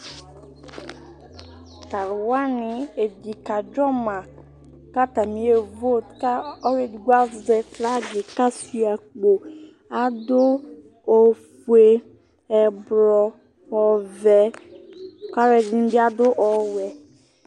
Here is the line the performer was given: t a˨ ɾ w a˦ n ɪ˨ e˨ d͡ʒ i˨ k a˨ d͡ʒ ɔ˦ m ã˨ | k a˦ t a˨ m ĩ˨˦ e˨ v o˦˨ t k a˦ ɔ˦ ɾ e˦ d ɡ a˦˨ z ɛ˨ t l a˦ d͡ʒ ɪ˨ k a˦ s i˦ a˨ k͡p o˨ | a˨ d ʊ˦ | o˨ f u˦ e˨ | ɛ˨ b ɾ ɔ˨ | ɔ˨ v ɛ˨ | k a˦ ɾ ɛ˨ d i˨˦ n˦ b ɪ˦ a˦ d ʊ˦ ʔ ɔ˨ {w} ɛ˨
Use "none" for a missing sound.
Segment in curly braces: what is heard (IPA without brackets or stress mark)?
w